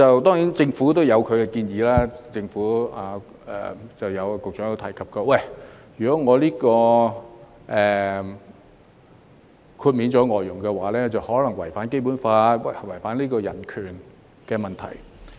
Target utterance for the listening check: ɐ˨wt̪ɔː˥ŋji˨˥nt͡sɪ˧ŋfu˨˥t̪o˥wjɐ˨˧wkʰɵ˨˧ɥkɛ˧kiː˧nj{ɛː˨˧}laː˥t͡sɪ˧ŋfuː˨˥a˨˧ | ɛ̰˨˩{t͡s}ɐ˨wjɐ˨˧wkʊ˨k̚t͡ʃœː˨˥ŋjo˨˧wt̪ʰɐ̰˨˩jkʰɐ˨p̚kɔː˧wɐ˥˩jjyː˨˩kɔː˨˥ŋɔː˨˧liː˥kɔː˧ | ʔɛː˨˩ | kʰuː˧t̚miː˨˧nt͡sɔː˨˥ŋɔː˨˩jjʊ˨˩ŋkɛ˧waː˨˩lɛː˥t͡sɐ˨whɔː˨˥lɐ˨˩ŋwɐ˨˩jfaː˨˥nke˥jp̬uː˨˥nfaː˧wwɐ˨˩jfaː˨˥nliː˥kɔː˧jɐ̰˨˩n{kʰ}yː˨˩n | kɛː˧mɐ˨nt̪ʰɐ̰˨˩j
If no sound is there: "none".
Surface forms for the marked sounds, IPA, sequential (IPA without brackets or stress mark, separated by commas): iː˨˧, t͡s, kʰ